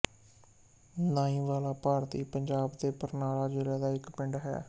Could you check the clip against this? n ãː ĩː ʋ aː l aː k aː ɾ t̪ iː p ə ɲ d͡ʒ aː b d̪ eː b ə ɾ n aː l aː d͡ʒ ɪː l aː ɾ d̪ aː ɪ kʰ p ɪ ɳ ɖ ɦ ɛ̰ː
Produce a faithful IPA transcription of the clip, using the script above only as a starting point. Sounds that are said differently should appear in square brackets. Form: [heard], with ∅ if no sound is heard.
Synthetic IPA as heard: n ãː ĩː ʋ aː l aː [p] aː ɾ t̪ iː p ə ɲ d͡ʒ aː b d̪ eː [p] ə ɾ n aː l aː d͡ʒ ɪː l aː [∅] d̪ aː ɪ [k] p ɪ ɳ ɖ ɦ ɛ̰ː